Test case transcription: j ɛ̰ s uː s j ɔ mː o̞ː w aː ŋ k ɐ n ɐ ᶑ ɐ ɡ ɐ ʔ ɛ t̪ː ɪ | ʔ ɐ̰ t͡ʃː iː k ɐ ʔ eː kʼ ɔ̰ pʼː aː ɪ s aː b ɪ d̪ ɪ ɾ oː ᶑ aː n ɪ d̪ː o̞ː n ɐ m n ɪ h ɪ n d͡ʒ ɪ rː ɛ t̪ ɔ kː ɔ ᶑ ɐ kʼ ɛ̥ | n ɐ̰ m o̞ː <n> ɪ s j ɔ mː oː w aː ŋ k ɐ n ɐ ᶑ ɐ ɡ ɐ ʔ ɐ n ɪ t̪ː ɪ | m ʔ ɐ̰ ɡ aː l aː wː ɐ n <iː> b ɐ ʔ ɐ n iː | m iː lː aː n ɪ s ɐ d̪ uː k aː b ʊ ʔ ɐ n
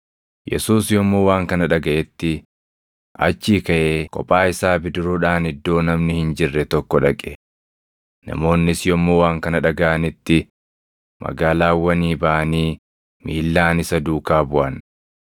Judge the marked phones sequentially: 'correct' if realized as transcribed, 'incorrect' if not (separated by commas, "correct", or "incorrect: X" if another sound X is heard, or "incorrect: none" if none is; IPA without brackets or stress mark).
incorrect: nː, correct